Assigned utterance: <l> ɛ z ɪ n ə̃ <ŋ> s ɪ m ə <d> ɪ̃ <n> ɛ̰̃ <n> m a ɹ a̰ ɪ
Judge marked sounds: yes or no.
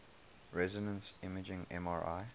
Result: no, no, no, no, no

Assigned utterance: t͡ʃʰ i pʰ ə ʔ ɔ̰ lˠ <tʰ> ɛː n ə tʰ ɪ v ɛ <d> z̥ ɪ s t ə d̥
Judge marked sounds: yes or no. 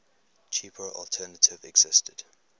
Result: yes, no

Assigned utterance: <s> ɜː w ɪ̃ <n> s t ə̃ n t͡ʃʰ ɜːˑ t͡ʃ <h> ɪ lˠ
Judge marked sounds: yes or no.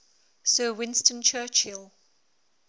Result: yes, yes, yes

